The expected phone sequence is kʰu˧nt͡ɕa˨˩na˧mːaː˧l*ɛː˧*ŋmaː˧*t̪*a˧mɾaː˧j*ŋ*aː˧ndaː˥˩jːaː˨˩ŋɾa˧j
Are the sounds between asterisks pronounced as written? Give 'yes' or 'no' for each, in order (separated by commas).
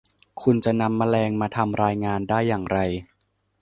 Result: yes, no, yes